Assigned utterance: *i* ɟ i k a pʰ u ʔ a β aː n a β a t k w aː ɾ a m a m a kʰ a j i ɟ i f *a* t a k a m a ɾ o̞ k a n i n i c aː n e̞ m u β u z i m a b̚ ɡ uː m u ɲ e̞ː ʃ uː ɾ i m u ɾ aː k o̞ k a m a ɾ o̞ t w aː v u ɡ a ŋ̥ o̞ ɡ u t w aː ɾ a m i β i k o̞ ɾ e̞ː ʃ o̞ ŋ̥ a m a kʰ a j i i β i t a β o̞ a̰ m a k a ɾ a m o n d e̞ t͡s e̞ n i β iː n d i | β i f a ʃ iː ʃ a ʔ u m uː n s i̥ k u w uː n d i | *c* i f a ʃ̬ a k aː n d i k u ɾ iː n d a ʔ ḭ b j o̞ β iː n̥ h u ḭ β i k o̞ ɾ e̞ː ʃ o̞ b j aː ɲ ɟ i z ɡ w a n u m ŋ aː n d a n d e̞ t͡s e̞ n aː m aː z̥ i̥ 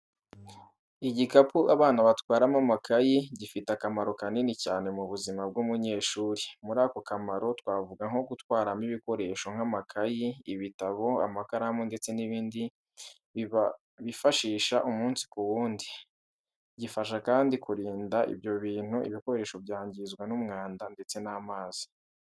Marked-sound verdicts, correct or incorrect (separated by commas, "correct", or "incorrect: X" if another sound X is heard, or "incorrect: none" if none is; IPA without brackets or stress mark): correct, incorrect: i, incorrect: ɟ